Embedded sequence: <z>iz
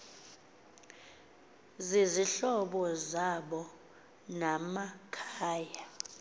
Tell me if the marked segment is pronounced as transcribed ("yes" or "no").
yes